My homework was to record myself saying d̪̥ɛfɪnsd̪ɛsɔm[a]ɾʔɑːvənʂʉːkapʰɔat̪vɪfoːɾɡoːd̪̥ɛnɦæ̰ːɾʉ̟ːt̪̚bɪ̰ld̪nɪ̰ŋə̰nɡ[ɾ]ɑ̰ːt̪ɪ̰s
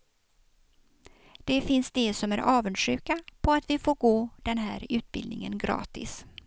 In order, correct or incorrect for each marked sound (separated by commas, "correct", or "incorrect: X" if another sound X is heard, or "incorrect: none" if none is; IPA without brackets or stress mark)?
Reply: incorrect: æ, correct